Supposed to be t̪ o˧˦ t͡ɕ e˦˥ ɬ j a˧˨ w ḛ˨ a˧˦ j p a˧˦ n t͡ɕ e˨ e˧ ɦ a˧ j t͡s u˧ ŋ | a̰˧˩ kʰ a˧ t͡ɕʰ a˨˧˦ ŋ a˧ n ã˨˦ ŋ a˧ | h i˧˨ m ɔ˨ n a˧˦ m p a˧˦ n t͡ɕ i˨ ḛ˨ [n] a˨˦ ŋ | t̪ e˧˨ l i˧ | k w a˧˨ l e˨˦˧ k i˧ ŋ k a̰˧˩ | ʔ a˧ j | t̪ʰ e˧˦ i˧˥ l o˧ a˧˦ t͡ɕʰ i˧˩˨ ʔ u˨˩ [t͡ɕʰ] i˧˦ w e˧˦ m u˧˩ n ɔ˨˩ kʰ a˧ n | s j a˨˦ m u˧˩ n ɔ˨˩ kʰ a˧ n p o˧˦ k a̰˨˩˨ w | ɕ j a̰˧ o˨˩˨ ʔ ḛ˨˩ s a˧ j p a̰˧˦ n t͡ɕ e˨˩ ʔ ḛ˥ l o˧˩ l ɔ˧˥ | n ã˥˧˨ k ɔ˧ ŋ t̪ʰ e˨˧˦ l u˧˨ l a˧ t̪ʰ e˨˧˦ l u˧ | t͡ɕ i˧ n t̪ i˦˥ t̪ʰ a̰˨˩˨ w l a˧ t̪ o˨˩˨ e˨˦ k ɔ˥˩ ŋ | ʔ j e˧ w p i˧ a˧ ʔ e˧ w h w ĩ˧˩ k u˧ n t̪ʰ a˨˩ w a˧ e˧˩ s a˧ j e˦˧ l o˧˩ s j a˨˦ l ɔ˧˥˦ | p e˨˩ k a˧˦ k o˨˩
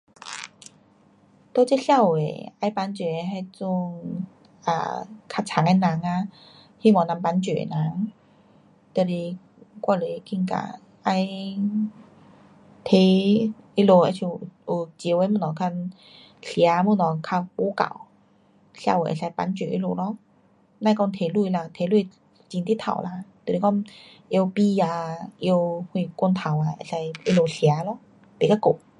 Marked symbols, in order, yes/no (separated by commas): yes, no